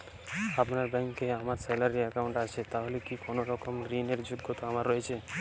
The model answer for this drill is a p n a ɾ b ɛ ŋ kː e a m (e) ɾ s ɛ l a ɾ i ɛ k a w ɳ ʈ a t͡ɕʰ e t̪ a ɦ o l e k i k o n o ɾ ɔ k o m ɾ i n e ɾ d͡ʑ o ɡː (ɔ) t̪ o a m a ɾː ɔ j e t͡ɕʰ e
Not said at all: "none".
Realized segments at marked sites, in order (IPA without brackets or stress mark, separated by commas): a, o